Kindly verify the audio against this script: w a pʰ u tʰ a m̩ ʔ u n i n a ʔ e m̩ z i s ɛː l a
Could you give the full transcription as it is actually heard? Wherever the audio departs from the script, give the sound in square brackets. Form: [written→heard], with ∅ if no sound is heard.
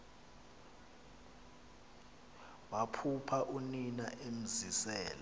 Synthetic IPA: w a pʰ u [tʰ→pʰ] a [m̩→∅] ʔ u n i n a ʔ e m̩ z i s ɛː l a